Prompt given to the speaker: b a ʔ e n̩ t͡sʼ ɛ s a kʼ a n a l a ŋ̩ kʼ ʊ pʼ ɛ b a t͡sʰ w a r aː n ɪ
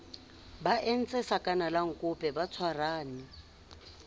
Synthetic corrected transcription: b a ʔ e n̩ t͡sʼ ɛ s a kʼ a n a l a ŋ̩ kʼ ʊ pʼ ɛ b a t͡sʰ w a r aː n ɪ